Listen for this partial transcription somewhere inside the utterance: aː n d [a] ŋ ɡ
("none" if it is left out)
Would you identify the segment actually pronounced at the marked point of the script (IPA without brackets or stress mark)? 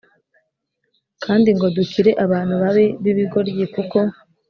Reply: i